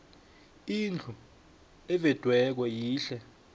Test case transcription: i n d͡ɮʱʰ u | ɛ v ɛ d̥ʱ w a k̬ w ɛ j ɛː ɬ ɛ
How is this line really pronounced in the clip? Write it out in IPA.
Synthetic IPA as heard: i n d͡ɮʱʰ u | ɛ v ɛ d̥ʱ w ɛ k̬ w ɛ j iː ɬ ɛ